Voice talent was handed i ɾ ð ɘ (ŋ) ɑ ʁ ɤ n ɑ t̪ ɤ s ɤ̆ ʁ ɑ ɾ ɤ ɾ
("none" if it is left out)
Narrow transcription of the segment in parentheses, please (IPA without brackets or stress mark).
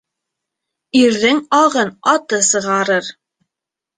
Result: ŋ